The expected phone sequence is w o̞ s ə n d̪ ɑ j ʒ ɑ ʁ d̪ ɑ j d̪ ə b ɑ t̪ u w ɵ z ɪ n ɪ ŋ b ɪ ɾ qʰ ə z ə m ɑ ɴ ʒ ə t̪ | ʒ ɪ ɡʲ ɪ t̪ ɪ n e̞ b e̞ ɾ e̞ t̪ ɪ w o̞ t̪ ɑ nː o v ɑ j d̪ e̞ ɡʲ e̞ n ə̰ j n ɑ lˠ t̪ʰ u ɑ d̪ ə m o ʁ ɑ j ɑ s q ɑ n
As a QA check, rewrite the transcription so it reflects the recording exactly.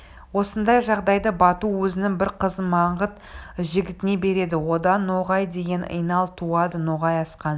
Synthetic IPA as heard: w o̞ s ə n d̪ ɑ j ʒ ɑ ʁ d̪ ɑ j d̪ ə b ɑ t̪ u w ɵ z ɪ n ɪ ŋ b ɪ ɾ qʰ ə z ə m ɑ ɴ ʁ ə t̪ | ʒ ɪ ɡʲ ɪ t̪ ɪ n e̞ b e̞ ɾ e̞ d̪ ɪ w o̞ d̪ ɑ nː o ʁ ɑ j d̪ e̞ ɡʲ e̞ n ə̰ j n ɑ lˠ t̪ʰ u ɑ d̪ ə n o ʁ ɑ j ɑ s q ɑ n

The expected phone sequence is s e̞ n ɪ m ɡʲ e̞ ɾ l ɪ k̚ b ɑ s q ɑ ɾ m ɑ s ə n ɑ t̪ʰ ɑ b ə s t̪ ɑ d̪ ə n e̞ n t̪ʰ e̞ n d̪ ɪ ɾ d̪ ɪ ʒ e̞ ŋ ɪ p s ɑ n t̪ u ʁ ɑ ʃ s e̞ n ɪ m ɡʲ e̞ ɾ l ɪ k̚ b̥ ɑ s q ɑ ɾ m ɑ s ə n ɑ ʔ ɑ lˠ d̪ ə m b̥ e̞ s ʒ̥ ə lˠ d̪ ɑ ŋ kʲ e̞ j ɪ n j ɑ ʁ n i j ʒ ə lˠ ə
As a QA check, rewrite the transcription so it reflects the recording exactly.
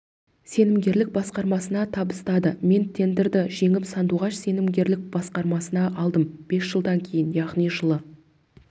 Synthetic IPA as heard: s e̞ n ɪ m ɡʲ e̞ ɾ l ɪ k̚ b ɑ s q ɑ ɾ m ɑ s ə n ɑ t̪ʰ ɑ b ə s t̪ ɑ d̪ ə m e̞ n t̪ʰ e̞ n d̪ ɪ ɾ d̪ ɪ ʒ e̞ ŋ ɪ p s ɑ n d̪ u ʁ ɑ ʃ s e̞ n ɪ m ɡʲ e̞ ɾ l ɪ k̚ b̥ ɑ s q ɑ ɾ m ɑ s ə n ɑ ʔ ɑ lˠ d̪ ə m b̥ e̞ s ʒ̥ ə lˠ d̪ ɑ ŋ kʲʰ e̞ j ɪ n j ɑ ʁ n i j ʒ ə lˠ ə

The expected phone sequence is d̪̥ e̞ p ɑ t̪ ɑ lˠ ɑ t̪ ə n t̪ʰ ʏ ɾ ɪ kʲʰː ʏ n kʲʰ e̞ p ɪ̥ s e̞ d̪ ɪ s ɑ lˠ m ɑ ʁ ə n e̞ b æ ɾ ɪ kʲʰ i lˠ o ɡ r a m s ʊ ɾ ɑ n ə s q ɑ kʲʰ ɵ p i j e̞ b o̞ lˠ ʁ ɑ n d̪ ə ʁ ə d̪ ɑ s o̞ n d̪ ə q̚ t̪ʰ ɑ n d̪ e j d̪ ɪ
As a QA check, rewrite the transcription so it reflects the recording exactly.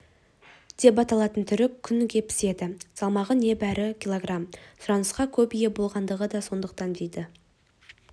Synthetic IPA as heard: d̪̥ e̞ p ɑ t̪ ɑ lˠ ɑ t̪ ə n t̪ʰ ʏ ɾ ɪ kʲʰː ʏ n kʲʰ e̞ p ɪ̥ s e̞ d̪ ɪ s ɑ lˠ m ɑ ʁ ə n e̞ b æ ɾ ɪ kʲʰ i lˠ o ɡ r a m s ʊ ɾ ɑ n ə s q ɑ kʲʰ ɵ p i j e̞ b o̞ lˠ ʁ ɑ n d̪ ə ʁ ə d̪ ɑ s o̞ n d̪ ə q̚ t̪ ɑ n d̪ e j d̪ ɪ

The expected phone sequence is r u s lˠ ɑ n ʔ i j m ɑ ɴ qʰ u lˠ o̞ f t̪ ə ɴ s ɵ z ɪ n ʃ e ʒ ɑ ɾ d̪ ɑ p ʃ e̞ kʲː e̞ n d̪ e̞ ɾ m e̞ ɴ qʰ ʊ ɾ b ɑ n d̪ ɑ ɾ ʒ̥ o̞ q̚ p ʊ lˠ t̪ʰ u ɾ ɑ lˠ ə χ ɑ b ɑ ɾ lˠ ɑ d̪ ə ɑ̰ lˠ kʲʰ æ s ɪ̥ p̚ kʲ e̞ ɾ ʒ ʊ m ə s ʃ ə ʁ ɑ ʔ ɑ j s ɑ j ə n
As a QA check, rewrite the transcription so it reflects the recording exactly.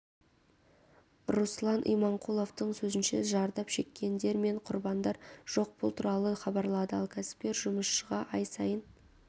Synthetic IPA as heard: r u s lˠ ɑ n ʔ i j m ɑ ɴ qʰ u lˠ o̞ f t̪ ə ɴ s ɵ z ɪ n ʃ e ʒ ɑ ɾ d̪ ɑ p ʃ e̞ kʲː e̞ n d̪ e̞ ɾ m e̞ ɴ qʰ ʊ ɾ b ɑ n d̪ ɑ ɾ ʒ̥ o̞ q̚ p ʊ lˠ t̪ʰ u ɾ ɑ lˠ ə χ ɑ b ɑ ɾ lˠ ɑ d̪ ə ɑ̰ lˠ kʲʰ æ s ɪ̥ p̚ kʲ e̞ ɾ ʒ ʊ m ə s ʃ ə ʁ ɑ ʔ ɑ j s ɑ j ə n

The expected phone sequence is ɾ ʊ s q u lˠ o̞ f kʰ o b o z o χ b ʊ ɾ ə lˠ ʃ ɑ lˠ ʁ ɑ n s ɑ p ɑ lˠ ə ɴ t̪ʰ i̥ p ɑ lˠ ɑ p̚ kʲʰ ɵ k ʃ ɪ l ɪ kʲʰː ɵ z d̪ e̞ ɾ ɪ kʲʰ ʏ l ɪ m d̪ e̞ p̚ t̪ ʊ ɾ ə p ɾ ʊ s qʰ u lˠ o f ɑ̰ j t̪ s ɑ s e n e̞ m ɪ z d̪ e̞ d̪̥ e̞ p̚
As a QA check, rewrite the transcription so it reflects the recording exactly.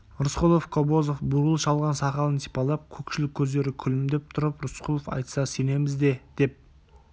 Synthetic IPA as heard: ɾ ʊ s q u lˠ o̞ f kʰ o b o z o f b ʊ ɾ ə lˠ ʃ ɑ lˠ ʁ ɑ n s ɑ q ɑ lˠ ə n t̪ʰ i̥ p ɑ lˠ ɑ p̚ kʲʰ ɵ k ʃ ɪ l ɪ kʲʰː ɵ z d̪ e̞ ɾ ɪ kʲʰ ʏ l ɪ m d̪ e̞ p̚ t̪ʰ ʊ ɾ ə p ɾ ʊ s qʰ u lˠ o f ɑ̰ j t̪ s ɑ s e n e̞ m ɪ z d̪ e̞ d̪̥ e̞ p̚

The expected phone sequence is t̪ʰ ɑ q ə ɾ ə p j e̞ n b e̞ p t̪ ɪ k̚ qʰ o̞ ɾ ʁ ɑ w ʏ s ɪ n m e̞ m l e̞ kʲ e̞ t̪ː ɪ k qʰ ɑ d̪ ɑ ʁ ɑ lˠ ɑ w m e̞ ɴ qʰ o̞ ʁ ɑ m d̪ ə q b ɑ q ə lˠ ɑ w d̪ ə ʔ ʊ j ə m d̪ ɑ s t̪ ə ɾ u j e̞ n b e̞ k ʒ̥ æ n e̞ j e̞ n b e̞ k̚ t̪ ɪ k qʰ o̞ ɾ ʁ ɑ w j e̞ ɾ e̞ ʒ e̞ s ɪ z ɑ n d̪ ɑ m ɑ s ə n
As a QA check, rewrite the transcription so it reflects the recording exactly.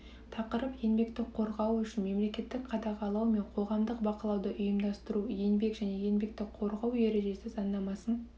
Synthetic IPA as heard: t̪ʰ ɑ q ə ɾ ə p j e̞ n b e̞ k t̪ ɪ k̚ qʰ o̞ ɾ ʁ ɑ w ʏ ʃ ɪ n m e̞ m l e̞ kʲ e̞ t̪ː ɪ k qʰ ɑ d̪ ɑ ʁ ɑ lˠ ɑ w m e̞ ɴ qʰ o̞ ʁ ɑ m d̪ ə q b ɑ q ə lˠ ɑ w d̪ ə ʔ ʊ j ə m d̪ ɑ s t̪ ə ɾ u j e̞ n b e̞ k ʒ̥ æ n e̞ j e̞ n b e̞ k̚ t̪ ɪ k qʰ o̞ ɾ ʁ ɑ w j e̞ ɾ e̞ ʒ e̞ s ɪ z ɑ n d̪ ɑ m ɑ s ə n

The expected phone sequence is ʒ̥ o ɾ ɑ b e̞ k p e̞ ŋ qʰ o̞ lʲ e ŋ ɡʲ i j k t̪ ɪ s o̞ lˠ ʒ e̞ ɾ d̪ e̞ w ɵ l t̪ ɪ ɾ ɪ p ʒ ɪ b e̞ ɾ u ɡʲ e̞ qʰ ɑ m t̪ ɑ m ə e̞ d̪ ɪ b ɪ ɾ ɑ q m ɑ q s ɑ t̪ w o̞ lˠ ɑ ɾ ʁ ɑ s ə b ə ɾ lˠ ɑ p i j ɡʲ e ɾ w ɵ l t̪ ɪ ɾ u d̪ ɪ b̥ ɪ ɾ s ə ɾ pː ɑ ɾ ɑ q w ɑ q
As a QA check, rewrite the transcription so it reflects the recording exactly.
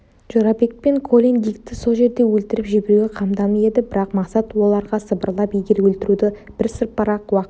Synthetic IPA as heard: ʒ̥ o ɾ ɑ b e̞ k p e̞ ŋ kʰ o̞ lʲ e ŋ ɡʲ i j k t̪ ɪ s o̞ lˠ ʒ e̞ ɾ d̪ e̞ w ɵ l t̪ ɪ ɾ ɪ p ʒ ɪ b e̞ ɾ u ɡʲ e̞ qʰ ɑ m d̪ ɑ m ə e̞ d̪ ɪ b ɪ ɾ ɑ q m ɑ q s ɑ t̪ w o̞ lˠ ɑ ɾ ʁ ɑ s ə b ə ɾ lˠ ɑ p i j ɡʲ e ɾ w ɵ l t̪ ɪ ɾ u d̪ ɪ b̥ ɪ ɾ s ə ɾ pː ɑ ɾ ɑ q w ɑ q

